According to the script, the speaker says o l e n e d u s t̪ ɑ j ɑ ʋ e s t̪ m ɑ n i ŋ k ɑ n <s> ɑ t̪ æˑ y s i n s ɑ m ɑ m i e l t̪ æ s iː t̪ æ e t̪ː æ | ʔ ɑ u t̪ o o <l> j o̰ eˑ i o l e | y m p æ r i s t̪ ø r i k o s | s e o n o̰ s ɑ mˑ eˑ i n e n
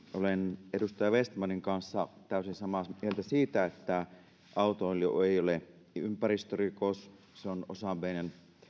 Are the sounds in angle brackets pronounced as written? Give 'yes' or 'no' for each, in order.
no, yes

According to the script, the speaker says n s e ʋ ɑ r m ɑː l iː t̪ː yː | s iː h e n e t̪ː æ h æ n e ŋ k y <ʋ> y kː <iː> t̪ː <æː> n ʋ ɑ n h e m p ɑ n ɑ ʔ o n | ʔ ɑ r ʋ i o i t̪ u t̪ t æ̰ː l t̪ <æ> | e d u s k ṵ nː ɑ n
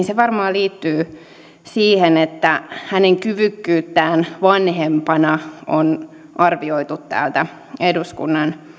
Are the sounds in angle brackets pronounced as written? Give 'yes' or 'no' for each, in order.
yes, no, yes, yes

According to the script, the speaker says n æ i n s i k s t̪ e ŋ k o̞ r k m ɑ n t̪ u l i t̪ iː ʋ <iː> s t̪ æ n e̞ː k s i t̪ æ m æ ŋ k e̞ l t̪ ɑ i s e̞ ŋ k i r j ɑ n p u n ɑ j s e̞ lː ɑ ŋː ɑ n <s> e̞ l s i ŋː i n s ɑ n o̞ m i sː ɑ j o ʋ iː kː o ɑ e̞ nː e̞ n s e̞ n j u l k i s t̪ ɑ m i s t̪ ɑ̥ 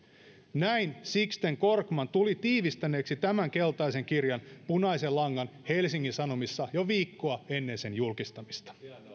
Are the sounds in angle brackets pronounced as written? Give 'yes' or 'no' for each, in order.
no, no

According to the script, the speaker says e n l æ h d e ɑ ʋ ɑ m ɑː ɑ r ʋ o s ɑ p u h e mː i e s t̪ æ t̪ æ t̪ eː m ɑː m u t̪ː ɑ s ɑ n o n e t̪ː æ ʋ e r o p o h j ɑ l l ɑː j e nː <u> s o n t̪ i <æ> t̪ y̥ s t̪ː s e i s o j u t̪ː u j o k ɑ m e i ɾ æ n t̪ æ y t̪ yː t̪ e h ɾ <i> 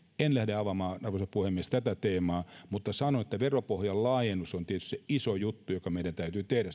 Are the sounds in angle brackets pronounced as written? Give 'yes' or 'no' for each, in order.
yes, no, no

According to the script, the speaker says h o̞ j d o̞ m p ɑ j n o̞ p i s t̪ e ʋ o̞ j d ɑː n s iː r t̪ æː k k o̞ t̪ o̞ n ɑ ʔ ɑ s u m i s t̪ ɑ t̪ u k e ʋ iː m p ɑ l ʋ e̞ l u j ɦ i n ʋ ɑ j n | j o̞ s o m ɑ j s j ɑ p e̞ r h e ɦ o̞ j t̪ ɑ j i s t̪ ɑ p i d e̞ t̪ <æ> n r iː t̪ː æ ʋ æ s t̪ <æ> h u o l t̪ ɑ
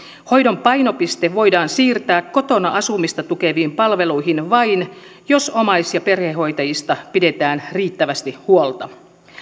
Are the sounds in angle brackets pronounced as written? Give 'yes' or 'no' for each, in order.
no, no

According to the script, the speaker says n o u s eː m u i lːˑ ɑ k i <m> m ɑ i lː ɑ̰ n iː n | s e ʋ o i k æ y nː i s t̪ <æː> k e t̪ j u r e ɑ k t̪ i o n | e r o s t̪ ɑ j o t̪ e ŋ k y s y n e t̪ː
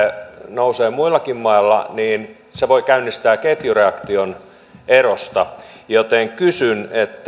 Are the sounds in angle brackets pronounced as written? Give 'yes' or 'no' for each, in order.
yes, yes

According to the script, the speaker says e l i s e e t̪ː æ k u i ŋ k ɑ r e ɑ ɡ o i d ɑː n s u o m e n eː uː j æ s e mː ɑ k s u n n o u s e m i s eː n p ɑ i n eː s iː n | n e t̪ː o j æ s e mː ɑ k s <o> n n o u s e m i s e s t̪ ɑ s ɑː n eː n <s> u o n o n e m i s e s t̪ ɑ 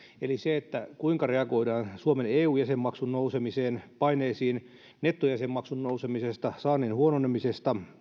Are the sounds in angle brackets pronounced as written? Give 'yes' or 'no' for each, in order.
no, no

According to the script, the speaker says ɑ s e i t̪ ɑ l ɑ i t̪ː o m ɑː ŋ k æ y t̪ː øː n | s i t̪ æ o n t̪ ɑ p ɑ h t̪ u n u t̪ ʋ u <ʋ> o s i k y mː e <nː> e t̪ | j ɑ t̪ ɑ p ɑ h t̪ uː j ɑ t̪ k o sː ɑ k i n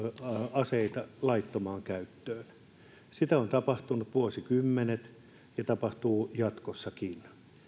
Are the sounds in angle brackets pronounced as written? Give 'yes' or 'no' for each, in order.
no, no

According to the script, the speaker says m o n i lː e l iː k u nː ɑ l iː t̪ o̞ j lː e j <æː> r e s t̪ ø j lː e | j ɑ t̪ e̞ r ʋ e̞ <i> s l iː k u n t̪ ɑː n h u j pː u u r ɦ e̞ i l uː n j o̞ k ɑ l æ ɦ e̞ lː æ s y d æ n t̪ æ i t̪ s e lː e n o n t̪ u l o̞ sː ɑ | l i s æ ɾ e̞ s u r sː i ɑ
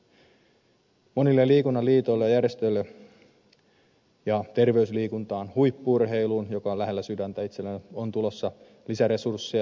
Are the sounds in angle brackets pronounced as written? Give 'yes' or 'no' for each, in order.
no, no

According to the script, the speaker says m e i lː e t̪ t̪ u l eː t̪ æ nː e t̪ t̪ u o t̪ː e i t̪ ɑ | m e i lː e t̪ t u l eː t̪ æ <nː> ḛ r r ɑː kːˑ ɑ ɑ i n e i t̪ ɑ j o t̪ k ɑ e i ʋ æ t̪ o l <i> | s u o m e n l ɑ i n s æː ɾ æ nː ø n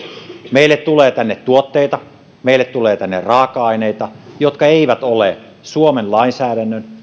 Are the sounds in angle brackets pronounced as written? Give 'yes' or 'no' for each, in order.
yes, no

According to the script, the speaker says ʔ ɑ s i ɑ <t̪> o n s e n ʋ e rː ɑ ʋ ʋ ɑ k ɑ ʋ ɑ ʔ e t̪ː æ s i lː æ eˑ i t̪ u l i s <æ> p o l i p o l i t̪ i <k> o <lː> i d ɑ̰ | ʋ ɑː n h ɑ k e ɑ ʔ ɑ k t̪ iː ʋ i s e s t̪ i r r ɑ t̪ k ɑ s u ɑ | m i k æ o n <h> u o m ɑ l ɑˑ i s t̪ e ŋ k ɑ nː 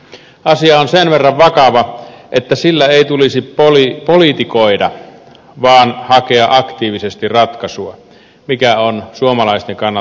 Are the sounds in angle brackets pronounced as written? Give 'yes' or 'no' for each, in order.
no, no, yes, no, no

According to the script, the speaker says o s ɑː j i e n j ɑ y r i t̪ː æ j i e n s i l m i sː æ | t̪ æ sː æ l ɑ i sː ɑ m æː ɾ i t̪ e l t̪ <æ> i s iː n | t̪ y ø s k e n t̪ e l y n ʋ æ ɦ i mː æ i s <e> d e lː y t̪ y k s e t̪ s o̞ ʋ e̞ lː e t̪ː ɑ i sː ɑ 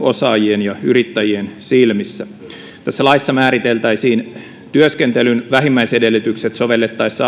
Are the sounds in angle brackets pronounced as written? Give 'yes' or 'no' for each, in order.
yes, yes

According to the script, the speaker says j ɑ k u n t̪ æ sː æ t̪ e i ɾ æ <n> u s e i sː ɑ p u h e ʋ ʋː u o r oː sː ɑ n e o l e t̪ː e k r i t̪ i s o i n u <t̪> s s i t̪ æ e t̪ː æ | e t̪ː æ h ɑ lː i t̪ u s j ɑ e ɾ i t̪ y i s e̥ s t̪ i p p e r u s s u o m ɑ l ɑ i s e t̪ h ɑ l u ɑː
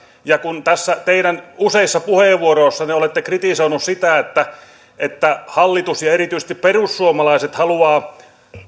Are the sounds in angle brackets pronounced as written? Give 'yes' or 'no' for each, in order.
yes, no

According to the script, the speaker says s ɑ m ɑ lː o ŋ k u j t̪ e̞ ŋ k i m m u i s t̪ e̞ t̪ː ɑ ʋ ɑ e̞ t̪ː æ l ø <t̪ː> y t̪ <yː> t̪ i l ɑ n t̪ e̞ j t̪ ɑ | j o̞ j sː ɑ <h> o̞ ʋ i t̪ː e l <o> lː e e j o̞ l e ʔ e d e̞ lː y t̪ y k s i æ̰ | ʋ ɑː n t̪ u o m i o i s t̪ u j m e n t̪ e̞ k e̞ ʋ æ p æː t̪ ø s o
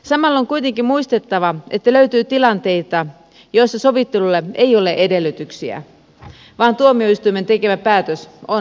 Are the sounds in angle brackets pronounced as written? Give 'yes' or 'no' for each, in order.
no, yes, no, no

